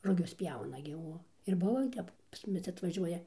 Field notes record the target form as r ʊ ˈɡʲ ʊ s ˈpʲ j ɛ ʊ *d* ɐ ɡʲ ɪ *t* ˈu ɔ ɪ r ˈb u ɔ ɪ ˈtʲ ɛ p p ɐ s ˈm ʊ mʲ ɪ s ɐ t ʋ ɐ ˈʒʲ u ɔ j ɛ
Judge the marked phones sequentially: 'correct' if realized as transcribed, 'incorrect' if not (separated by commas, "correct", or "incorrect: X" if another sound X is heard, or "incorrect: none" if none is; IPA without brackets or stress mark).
incorrect: n, incorrect: none